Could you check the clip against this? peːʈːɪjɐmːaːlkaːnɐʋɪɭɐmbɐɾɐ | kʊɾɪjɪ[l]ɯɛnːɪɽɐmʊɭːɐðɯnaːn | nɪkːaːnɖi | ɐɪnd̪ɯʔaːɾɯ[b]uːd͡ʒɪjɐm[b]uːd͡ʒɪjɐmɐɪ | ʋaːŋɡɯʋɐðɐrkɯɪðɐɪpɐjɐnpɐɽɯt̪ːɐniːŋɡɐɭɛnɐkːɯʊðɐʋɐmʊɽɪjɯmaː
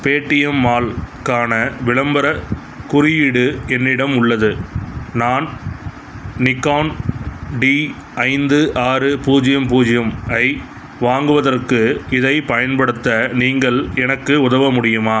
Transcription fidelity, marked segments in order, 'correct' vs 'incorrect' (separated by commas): incorrect, incorrect, incorrect